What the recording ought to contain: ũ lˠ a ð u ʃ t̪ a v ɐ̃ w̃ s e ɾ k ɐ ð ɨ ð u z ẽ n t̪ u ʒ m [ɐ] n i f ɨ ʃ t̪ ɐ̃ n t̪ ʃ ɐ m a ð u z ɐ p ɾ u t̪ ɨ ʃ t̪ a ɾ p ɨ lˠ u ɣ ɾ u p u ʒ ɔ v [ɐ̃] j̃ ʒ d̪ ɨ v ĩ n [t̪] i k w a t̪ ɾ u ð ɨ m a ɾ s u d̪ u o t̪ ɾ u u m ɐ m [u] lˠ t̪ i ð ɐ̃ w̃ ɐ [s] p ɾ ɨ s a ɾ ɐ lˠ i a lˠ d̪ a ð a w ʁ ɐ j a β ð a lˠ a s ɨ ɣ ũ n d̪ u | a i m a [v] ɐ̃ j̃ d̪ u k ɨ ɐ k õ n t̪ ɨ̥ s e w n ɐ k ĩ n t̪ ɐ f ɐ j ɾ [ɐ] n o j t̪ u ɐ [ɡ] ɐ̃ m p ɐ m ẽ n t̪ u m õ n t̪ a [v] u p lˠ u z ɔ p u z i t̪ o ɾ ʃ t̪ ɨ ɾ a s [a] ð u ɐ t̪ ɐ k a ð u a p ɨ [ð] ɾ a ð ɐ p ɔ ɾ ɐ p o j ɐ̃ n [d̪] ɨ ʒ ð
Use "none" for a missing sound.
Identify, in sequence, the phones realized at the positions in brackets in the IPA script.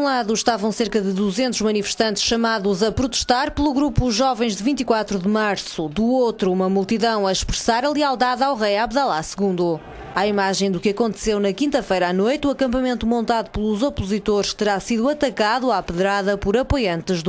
ɐ, ɐ̃, t̪, u, ʃ, ʒ, a, k, ð, i, ð, t̪

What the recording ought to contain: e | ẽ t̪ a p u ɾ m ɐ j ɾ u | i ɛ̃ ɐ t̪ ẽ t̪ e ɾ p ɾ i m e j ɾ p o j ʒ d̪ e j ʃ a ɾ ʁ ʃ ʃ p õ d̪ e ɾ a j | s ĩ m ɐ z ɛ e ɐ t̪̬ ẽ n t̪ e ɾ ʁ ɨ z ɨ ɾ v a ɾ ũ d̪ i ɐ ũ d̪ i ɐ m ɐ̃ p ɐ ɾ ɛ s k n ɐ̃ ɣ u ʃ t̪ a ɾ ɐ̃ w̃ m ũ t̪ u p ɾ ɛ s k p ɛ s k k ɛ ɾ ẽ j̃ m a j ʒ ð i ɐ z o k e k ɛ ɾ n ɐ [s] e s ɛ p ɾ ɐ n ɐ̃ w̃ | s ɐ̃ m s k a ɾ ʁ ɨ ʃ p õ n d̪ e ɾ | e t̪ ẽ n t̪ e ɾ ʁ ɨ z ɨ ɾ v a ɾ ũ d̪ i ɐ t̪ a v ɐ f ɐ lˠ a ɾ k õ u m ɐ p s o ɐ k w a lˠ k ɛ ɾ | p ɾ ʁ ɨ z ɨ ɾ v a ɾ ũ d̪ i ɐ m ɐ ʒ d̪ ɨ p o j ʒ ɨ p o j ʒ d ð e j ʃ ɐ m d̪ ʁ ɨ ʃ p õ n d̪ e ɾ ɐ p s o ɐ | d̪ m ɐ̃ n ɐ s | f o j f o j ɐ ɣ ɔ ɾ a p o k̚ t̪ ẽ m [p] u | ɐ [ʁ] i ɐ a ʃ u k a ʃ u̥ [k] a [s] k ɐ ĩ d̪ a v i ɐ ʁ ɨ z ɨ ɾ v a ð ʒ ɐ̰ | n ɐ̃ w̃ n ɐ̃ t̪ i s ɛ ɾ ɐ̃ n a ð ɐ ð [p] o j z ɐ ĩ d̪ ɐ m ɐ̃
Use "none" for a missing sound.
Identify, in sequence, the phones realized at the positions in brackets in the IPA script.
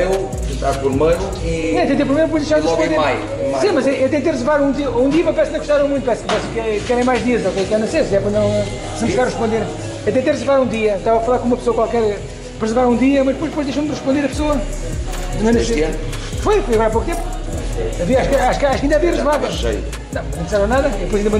s, p, v, k, ʃ, p

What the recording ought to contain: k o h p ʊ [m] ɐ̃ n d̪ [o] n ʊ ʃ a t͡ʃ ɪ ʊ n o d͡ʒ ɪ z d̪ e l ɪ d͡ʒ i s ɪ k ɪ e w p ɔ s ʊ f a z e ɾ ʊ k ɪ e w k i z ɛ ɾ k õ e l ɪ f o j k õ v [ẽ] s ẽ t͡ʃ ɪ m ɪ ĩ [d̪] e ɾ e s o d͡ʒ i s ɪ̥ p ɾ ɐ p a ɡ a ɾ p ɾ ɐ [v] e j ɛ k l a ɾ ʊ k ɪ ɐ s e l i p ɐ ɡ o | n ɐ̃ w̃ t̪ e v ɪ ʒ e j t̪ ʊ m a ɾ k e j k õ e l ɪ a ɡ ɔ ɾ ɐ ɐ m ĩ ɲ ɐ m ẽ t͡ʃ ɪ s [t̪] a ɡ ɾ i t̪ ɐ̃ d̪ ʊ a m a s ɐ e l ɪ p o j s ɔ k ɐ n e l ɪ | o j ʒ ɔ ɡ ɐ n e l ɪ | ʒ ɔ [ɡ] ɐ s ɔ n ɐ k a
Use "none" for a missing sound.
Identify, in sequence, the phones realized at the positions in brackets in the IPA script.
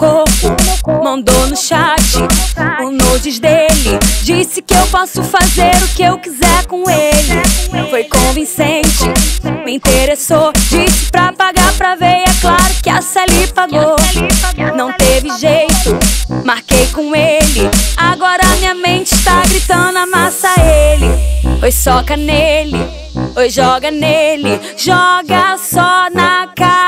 m, o, ĩ, t̪, v, t̪, ɡ

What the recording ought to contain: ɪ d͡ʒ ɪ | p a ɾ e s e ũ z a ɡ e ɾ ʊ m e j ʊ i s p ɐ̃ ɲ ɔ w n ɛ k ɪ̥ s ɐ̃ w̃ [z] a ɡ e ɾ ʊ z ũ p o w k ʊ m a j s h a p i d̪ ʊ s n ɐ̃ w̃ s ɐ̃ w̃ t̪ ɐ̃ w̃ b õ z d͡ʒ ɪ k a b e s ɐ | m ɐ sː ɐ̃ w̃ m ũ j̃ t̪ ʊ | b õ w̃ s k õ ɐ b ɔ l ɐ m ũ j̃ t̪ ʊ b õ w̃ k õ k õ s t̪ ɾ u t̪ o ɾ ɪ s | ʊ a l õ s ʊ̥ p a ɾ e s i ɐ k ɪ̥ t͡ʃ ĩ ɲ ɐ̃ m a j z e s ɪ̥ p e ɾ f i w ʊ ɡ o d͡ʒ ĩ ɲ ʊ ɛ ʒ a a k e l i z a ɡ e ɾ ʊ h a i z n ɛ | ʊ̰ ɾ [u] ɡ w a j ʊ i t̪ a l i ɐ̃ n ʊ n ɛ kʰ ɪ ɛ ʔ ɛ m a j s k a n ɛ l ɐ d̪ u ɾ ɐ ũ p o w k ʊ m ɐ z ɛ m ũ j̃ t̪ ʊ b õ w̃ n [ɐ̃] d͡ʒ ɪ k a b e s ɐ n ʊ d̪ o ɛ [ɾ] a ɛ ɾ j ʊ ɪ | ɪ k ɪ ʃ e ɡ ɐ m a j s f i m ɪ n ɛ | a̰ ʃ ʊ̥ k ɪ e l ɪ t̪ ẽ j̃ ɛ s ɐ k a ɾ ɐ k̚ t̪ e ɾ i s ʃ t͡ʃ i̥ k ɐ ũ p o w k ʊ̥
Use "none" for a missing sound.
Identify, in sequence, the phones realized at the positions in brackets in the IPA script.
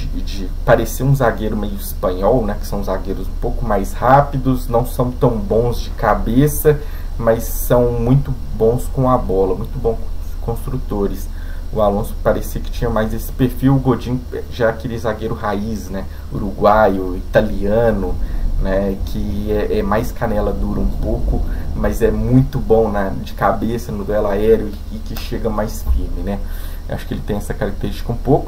z, u, ɐ, l

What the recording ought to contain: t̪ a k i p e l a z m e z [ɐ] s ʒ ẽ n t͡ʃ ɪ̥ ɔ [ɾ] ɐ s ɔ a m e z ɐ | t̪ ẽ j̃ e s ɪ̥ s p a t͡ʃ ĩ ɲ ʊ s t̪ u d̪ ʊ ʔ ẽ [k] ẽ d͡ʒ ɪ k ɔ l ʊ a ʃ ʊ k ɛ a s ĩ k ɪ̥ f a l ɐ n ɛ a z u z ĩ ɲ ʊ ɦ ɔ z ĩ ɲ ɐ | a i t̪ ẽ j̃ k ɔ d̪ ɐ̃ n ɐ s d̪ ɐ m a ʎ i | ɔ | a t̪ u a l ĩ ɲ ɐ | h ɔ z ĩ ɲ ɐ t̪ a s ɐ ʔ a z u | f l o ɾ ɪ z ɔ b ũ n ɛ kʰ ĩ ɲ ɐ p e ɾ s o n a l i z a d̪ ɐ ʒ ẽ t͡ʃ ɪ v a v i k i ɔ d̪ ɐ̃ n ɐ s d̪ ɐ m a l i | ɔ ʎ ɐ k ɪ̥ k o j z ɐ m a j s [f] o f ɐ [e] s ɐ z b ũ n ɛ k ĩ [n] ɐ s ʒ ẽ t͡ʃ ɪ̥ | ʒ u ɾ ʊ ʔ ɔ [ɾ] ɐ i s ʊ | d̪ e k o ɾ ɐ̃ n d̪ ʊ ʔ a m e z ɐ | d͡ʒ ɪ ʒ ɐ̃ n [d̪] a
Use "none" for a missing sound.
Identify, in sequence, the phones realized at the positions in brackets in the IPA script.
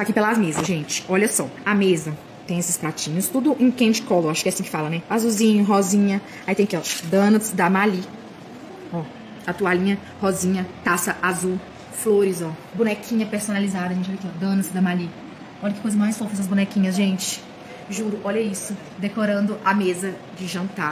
ɐ, ʎ, k, f, ɛ, ɲ, ʎ, t̪

